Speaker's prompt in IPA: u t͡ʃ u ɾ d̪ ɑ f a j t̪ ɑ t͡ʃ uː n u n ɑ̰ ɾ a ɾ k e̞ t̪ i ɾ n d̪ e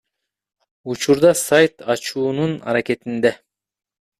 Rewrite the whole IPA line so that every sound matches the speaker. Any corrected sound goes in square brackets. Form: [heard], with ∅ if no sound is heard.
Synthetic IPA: u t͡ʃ u ɾ d̪ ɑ [s] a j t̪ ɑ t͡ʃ uː n u n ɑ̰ ɾ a [∅] k e̞ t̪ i [∅] n d̪ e